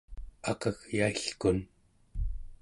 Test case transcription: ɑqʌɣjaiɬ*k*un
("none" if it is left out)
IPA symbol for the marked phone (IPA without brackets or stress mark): k